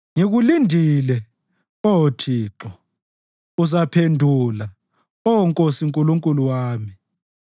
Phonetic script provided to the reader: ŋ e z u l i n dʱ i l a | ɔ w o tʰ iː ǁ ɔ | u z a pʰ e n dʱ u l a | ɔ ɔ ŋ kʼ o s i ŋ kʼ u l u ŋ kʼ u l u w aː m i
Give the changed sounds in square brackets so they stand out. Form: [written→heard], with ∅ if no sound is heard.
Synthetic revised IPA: ŋ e [z→ɣ] u l i n dʱ i l [a→ɛ] | ɔ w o tʰ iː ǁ ɔ | u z a pʰ e n dʱ u l a | ɔ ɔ ŋ kʼ o s i ŋ kʼ u l u ŋ kʼ u l u w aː m i